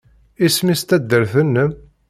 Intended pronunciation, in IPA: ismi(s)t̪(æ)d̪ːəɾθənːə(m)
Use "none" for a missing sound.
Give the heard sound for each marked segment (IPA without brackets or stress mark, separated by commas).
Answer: s, æ, m